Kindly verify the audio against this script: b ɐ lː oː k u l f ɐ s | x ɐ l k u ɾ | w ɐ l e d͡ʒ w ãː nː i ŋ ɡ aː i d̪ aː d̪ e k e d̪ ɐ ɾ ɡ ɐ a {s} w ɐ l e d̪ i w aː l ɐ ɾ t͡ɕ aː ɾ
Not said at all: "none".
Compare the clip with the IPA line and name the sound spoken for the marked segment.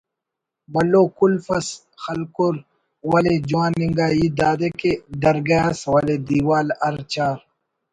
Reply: s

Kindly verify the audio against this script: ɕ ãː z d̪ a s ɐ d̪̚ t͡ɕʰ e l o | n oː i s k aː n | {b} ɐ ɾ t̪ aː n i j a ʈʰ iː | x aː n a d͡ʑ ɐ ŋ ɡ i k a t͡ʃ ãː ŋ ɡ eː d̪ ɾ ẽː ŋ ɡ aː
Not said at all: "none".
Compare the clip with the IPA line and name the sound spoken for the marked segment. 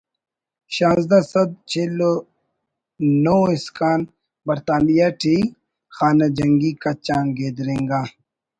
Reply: b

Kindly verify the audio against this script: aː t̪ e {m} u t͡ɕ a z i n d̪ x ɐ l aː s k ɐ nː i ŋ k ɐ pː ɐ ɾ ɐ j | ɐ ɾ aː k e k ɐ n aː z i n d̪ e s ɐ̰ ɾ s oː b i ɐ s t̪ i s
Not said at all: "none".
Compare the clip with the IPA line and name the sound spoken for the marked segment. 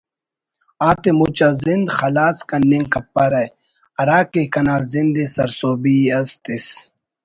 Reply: m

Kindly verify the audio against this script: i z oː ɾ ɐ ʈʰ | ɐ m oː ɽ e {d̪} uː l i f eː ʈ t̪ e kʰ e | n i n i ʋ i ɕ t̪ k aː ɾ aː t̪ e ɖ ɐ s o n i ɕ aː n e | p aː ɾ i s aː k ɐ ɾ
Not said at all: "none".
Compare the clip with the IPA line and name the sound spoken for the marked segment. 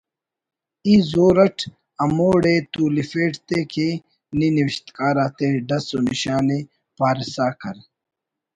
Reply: t̪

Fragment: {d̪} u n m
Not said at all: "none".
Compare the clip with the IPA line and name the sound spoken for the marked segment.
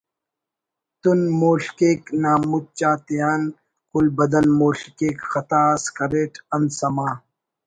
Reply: t̪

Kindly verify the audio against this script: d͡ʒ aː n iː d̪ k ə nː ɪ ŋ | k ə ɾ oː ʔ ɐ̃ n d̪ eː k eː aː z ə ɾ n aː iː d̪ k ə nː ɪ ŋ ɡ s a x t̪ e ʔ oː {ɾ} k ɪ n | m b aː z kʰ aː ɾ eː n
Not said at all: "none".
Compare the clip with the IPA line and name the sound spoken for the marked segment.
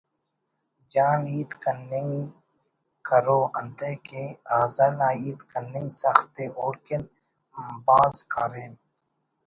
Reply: ɾ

